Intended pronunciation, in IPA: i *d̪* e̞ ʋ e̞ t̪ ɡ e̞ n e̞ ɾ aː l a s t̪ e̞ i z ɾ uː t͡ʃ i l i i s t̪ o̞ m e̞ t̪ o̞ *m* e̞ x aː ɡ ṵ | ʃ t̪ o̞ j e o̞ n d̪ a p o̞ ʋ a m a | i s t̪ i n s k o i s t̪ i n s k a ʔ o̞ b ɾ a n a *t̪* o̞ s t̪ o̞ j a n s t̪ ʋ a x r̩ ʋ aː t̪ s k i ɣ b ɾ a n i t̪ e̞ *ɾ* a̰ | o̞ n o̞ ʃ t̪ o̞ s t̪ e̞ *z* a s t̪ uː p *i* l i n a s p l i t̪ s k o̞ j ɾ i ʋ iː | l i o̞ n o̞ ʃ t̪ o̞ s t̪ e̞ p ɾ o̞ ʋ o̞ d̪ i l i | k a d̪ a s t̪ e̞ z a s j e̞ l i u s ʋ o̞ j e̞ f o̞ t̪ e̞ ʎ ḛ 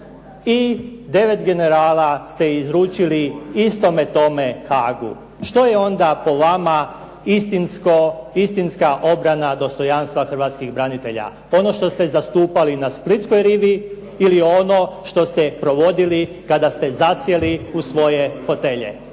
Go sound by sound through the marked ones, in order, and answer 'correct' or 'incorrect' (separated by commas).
correct, correct, incorrect, incorrect, correct, incorrect